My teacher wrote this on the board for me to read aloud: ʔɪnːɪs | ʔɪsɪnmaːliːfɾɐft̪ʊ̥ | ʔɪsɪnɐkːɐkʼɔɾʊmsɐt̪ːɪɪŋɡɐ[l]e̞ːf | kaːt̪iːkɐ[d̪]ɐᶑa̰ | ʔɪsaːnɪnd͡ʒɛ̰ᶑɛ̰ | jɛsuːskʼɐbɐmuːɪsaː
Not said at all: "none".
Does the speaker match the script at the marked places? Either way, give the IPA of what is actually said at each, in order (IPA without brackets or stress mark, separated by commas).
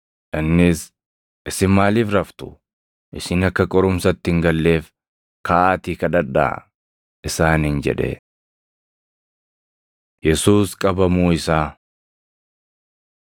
lː, d̪